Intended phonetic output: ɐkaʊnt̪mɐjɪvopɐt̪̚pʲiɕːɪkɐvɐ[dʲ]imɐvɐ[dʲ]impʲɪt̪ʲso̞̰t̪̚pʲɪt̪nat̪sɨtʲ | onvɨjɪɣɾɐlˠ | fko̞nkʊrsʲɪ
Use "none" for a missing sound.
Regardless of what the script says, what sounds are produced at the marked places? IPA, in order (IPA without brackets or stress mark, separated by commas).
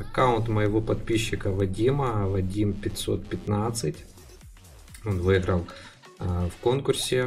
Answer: dʲ, dʲ